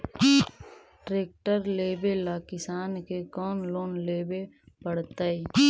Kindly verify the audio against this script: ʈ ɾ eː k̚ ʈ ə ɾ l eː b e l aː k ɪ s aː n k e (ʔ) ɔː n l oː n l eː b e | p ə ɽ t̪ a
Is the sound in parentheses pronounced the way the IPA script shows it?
no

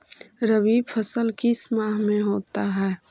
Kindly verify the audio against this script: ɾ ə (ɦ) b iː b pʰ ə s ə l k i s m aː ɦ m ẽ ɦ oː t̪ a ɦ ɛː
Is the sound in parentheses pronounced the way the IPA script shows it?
no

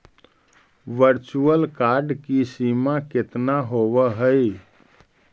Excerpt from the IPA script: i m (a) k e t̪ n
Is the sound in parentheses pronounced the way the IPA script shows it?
yes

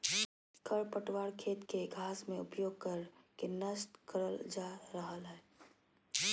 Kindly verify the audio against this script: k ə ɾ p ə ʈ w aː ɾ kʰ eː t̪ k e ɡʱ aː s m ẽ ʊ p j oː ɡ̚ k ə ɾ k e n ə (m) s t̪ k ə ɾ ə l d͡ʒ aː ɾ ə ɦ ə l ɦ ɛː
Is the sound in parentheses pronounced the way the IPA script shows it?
no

